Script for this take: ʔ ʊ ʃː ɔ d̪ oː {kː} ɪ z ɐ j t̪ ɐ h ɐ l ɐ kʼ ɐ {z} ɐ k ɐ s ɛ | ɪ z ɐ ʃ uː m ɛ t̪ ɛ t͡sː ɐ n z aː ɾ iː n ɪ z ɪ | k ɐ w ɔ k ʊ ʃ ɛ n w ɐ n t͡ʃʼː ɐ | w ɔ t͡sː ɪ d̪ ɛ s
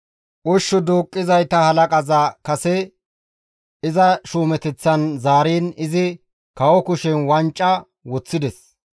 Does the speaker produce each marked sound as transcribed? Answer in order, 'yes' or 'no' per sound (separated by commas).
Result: no, yes